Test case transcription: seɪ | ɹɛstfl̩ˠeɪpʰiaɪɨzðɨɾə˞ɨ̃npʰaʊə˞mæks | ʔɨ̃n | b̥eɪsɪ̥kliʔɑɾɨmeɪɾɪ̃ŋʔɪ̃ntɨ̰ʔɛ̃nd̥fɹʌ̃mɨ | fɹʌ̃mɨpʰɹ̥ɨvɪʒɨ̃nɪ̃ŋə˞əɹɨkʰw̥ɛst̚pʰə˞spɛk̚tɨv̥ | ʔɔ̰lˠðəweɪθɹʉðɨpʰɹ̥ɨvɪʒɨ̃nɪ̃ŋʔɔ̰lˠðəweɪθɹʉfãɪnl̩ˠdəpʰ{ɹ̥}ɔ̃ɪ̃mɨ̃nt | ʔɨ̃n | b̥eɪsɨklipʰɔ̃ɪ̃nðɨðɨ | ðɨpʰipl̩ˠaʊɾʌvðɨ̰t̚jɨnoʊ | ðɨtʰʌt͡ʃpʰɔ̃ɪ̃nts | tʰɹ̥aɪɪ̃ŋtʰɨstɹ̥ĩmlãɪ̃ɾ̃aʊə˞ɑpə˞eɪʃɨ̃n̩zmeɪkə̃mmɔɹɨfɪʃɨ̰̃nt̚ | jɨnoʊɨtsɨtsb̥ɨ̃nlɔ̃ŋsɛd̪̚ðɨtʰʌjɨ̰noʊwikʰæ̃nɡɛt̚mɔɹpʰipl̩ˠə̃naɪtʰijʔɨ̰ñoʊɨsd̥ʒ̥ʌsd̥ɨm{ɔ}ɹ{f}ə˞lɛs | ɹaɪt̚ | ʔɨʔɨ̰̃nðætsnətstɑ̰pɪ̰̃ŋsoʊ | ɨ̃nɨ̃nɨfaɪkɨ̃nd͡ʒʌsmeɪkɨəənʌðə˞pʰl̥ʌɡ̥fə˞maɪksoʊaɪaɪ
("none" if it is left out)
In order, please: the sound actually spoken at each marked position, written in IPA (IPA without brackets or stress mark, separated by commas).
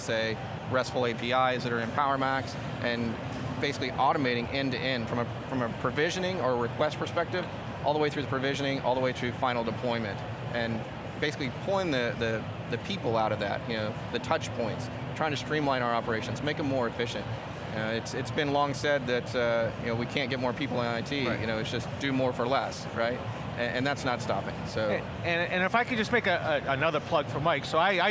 l̥, ɔ, f